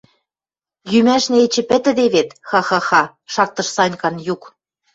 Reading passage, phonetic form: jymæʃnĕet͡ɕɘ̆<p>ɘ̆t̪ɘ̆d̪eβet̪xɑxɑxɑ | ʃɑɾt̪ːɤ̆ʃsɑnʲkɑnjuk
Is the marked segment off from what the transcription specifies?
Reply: no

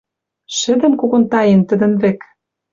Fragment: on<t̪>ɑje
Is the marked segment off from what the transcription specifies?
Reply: no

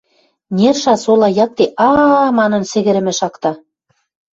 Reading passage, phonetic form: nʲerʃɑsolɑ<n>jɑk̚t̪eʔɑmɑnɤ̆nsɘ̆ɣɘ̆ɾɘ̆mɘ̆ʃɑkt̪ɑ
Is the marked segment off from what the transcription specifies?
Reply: yes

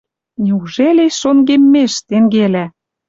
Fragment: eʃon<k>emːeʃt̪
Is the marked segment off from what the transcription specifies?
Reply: yes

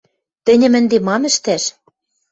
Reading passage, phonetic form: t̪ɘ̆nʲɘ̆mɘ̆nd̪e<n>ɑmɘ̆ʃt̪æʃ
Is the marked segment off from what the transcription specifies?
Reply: yes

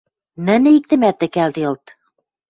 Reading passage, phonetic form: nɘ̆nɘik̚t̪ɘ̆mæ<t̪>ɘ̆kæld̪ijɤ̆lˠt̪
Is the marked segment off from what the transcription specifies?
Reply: no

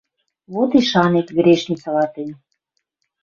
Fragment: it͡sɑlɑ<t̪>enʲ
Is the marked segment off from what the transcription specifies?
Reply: no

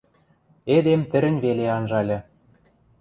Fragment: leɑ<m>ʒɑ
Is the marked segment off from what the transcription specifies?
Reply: yes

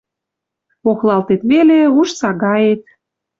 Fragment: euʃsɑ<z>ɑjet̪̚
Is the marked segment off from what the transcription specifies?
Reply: yes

